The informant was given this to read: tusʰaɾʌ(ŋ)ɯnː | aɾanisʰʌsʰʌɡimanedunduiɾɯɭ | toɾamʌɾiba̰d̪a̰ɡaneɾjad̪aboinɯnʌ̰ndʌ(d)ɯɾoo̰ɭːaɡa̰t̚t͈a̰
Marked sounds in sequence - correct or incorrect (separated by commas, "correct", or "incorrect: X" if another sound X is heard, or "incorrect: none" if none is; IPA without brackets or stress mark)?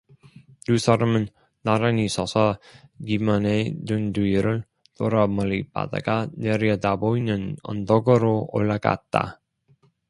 incorrect: m, incorrect: ɡ